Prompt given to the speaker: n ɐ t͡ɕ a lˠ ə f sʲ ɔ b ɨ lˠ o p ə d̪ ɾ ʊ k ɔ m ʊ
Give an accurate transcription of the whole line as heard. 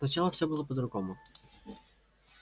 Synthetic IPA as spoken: n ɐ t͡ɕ a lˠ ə f sʲ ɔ b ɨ lˠ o p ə d̪ ɾ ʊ ɡ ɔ m ʊ